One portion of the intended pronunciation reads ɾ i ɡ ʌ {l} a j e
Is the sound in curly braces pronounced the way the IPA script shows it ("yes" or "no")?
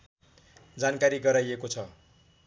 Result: no